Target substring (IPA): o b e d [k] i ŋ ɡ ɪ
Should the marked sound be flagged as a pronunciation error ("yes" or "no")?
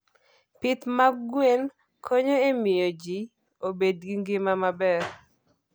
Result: yes